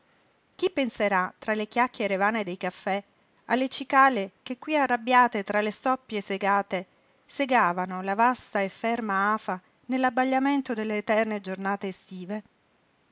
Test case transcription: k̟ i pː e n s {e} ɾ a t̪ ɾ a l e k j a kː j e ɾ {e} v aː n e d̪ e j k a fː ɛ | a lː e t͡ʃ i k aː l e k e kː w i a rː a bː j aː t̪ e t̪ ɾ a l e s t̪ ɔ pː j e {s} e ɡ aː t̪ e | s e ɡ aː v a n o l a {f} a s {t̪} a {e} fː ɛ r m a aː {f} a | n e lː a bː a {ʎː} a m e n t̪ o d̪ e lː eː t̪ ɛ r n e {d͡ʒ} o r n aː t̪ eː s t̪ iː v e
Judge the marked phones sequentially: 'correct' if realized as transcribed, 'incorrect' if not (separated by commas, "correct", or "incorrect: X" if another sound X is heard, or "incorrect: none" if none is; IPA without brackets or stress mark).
correct, correct, correct, incorrect: v, correct, correct, correct, correct, correct